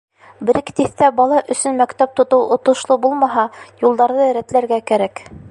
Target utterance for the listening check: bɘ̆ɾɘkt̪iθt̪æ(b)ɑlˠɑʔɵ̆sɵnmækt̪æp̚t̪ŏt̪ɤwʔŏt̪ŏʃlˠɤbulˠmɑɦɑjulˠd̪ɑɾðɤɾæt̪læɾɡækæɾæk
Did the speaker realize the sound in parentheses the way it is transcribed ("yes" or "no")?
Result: yes